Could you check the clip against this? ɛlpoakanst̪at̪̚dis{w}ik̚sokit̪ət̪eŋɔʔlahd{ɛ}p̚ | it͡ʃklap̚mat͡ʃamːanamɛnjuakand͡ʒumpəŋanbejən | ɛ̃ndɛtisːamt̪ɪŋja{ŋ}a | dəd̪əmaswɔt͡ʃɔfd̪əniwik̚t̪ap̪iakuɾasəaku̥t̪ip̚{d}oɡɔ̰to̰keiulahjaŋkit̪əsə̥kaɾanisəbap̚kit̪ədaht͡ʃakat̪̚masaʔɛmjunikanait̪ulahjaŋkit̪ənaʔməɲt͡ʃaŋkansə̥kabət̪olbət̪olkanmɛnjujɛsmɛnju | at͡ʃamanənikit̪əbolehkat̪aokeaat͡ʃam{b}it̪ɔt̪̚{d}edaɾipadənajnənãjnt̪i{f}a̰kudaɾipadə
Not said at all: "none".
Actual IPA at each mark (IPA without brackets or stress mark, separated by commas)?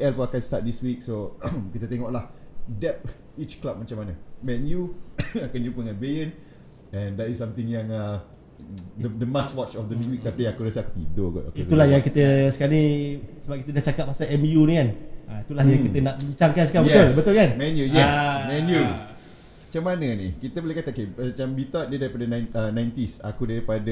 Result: w, ɛ, ŋ, d, b, d, s